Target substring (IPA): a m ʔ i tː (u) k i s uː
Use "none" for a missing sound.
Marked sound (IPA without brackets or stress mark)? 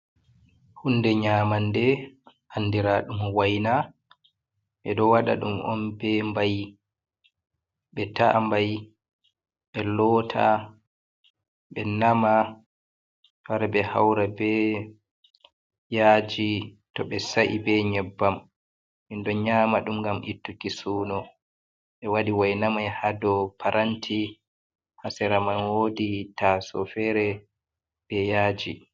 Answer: u